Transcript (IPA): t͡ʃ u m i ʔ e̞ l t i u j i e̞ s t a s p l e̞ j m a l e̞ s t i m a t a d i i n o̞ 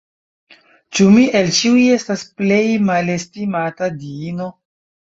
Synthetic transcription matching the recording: t͡ʃ u m i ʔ e̞ l t͡ʃ i u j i e̞ s t a s p l e̞ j m a l e̞ s t i m a t a d i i n o̞